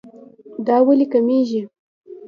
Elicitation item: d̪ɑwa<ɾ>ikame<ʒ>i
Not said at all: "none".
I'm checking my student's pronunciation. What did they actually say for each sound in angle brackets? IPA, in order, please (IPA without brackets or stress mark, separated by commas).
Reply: l, ʒ